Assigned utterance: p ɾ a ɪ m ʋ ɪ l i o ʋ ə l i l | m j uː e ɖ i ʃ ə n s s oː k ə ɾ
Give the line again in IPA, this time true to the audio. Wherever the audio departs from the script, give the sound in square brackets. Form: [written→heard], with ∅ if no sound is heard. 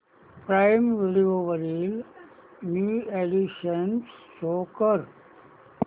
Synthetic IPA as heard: p ɾ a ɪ m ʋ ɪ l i o ʋ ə [l→ɾ] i l | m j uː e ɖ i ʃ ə n s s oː k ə ɾ